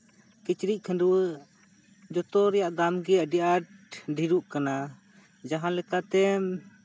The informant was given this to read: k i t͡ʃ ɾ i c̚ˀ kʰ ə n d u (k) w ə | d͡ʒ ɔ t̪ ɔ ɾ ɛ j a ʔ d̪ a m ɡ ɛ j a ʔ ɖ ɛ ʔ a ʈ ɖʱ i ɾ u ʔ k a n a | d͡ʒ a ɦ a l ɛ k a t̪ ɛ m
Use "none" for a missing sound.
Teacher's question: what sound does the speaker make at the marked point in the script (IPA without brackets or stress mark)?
none